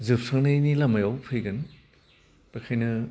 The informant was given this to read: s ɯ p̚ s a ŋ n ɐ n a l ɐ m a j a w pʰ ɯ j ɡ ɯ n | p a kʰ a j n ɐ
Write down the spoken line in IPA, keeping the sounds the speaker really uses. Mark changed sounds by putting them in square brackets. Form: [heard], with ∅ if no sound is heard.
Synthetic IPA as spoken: [z] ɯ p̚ s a ŋ n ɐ n [i] l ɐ m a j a w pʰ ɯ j ɡ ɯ n | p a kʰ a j n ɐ